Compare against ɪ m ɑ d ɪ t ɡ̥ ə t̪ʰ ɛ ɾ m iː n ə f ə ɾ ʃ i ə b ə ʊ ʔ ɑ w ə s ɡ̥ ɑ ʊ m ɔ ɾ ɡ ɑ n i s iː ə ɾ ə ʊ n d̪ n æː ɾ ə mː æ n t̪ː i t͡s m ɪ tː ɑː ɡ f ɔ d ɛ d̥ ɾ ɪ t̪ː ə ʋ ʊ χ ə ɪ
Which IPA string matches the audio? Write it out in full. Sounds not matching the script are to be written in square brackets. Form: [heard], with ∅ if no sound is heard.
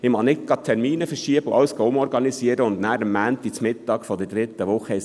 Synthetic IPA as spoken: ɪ m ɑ [n] ɪ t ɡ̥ [ɑ] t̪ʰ ɛ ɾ m iː n ə f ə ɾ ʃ i ə b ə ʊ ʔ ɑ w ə s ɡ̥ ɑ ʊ m ɔ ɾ ɡ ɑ n i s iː ə ɾ ə ʊ n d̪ n æː ɾ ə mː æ n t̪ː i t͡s m ɪ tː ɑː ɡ f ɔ d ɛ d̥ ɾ ɪ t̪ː ə ʋ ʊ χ ə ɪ